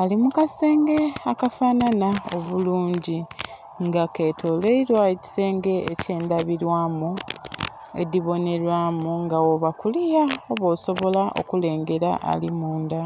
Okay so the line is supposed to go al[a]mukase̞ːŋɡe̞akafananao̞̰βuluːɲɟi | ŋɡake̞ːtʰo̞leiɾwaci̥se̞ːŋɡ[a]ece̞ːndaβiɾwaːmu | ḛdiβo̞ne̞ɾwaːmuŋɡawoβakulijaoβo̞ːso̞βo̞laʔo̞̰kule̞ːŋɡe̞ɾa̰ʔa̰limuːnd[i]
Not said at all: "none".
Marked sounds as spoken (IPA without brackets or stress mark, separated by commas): i, e, a